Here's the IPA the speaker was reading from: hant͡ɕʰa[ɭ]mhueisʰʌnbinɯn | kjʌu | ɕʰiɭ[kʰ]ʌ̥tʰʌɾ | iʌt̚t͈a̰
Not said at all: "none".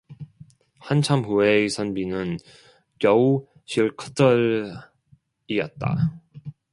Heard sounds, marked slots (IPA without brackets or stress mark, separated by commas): none, kʰ